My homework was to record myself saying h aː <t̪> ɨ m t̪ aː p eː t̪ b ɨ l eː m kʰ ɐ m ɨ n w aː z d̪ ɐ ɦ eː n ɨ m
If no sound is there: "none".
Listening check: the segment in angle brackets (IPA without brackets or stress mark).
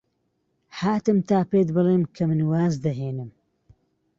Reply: t̪